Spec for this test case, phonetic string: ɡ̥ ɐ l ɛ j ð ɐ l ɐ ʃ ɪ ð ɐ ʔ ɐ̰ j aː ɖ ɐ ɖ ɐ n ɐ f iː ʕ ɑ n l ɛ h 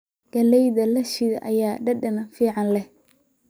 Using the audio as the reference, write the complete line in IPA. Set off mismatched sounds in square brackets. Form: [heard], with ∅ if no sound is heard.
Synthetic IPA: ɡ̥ ɐ l ɛ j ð ɐ l ɐ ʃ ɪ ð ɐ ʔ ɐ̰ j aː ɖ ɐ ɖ ɐ n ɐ f iː ʕ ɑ n l ɛ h